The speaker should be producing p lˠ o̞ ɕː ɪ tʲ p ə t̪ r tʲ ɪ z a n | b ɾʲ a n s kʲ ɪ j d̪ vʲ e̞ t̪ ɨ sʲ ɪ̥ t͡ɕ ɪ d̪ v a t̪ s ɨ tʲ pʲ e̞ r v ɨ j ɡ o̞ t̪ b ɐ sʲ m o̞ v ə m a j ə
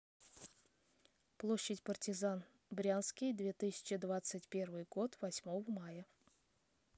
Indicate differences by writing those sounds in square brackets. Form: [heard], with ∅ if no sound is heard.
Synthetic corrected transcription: p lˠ o̞ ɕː ɪ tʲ p ə [∅] r tʲ ɪ z a n | b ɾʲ a n s kʲ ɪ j d̪ vʲ e̞ t̪ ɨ sʲ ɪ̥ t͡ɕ ɪ d̪ v a t̪ s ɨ tʲ pʲ e̞ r v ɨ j ɡ o̞ t̪ [v] ɐ sʲ m o̞ v ə m a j ə